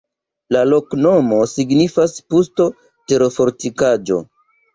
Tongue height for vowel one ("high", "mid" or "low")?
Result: low